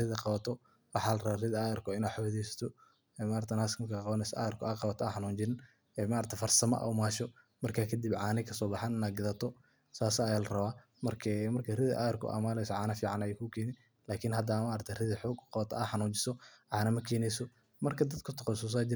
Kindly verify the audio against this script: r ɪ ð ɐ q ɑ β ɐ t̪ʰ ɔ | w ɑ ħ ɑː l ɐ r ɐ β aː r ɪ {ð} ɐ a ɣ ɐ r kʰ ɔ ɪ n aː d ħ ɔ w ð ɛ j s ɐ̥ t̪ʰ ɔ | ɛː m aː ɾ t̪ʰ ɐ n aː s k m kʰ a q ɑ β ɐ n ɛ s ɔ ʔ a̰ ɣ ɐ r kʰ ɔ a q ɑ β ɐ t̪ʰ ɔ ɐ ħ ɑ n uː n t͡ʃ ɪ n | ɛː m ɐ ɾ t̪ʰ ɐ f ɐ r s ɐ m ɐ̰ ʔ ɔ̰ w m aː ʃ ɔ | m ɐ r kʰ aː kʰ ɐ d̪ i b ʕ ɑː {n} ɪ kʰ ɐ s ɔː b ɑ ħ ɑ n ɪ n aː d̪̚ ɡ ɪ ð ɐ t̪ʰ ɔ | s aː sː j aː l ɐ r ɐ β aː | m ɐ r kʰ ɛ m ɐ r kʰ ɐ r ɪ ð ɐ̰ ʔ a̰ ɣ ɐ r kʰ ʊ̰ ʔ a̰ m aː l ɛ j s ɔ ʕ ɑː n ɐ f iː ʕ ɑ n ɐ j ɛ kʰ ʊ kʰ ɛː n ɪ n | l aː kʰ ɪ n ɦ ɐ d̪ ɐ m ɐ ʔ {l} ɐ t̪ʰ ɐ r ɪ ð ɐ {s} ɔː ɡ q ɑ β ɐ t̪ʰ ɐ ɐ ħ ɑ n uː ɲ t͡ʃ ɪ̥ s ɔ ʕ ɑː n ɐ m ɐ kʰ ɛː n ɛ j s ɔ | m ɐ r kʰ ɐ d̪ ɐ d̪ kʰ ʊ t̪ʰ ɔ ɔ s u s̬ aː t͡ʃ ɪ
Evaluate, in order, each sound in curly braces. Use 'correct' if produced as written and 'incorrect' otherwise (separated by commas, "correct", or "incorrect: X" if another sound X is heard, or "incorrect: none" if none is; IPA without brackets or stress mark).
correct, correct, incorrect: ɾ, incorrect: ħ